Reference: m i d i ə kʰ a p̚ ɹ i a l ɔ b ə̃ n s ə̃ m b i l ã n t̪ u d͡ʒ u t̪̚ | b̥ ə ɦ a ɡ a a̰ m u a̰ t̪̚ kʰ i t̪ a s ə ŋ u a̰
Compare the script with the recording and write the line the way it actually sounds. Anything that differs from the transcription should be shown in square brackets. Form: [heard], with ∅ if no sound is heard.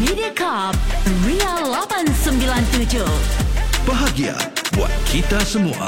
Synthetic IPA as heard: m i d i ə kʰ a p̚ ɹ i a l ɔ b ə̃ n s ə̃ m b i l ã n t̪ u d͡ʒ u [∅] | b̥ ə ɦ a ɡ [i] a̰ [b] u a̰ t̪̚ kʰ i t̪ a s ə [m] u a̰